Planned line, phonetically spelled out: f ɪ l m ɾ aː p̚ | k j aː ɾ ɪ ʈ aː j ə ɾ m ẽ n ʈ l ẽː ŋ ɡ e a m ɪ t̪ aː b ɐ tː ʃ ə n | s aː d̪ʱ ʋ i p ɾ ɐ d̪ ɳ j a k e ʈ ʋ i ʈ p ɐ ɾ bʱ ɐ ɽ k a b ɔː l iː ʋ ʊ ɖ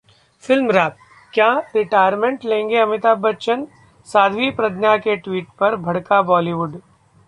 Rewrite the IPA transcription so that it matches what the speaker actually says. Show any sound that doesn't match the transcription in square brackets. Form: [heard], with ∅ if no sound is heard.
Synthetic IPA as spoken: f ɪ l m ɾ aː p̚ | k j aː ɾ ɪ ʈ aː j ə ɾ m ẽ [ɳ] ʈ l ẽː ŋ ɡ e [ɐ] m ɪ t̪ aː b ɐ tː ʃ ə n | s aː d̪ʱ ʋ i p ɾ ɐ d̪ [n] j a k e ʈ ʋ [iː] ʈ p ɐ ɾ bʱ ɐ ɽ k a b ɔː l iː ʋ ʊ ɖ